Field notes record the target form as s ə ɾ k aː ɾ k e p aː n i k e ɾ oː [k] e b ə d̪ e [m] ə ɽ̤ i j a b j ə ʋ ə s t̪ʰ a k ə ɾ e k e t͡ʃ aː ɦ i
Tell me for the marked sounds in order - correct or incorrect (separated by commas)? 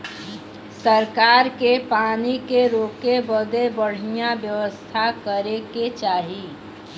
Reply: correct, incorrect